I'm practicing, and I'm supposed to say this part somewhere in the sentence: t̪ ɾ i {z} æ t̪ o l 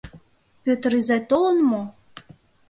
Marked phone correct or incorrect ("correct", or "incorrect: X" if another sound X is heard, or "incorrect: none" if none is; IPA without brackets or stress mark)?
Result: correct